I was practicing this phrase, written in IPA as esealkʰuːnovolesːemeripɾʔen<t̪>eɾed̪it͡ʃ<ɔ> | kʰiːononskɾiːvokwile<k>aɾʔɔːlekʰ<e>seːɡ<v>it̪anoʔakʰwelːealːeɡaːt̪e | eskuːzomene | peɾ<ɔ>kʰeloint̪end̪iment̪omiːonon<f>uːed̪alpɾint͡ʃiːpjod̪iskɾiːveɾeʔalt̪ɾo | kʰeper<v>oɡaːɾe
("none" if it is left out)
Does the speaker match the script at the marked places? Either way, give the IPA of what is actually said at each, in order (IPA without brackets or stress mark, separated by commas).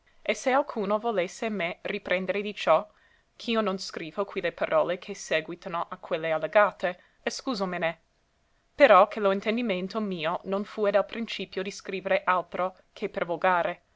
d̪, ɔ, p, e, w, ɔ, f, v